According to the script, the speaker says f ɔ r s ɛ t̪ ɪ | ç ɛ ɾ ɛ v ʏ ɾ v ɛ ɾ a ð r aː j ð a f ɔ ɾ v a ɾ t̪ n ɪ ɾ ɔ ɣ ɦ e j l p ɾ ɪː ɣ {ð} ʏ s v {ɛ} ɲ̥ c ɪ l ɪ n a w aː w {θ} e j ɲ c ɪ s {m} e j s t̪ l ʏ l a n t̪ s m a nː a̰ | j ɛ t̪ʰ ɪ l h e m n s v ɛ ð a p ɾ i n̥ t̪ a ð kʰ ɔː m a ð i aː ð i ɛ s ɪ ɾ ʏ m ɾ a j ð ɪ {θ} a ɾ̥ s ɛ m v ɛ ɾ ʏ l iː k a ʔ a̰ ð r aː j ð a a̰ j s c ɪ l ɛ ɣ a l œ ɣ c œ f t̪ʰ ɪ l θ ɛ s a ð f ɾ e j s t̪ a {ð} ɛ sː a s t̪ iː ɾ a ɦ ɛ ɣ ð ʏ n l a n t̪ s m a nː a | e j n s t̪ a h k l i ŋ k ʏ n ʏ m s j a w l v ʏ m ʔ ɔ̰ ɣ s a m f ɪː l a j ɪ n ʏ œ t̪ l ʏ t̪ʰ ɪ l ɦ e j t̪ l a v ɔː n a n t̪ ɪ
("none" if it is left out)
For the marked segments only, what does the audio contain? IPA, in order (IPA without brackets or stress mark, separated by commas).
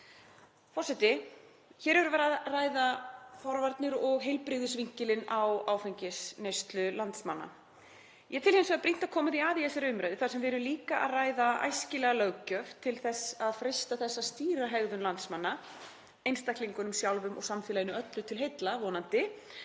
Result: ð, i, f, n, θ, θ